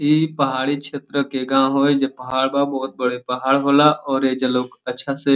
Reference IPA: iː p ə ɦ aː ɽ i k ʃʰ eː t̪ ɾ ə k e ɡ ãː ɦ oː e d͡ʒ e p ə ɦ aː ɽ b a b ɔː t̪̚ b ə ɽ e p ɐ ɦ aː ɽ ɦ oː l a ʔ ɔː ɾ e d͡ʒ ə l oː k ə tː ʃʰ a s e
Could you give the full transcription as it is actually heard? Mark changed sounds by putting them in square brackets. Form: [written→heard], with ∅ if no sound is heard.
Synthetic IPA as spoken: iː p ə ɦ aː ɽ i k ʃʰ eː t̪ ɾ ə k e ɡ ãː ɦ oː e d͡ʒ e p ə ɦ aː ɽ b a b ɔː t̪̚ b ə ɽ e p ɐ ɦ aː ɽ ɦ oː l a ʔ ɔː ɾ e d͡ʒ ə l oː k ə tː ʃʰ a s e